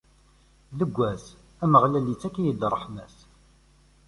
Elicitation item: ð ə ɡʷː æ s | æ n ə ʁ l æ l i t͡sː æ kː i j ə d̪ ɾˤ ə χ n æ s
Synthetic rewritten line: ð ə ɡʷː æ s | æ m ə ʁ l æ l i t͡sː æ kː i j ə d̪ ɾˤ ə ħ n æ s